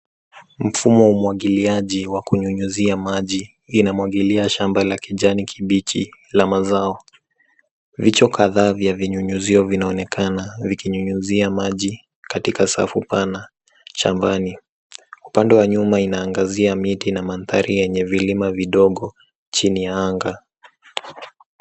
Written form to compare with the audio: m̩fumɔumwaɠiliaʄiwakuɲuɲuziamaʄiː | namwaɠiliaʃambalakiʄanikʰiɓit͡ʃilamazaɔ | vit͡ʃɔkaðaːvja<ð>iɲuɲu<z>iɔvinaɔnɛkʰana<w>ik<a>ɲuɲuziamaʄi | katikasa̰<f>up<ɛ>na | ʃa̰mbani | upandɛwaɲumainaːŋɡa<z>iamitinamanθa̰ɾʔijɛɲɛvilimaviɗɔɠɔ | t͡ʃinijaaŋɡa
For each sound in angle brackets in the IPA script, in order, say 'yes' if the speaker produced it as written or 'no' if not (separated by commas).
no, yes, no, no, yes, no, yes